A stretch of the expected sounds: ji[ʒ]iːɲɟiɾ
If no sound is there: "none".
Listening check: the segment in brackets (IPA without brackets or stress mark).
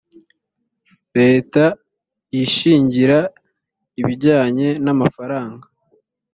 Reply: ʃ